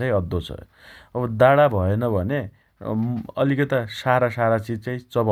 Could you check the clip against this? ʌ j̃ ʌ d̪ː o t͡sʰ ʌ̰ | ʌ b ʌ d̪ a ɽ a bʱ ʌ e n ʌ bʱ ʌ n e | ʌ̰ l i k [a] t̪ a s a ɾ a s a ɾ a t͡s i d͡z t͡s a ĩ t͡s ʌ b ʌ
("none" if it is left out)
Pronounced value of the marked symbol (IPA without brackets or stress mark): ʌ